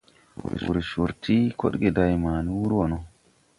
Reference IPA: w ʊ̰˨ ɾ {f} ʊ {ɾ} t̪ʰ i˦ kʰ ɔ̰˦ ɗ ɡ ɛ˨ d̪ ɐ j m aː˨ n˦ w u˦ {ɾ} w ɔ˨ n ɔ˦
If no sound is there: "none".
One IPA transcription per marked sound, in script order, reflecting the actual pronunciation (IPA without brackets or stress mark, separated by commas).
ʃ, ɾ, ɾ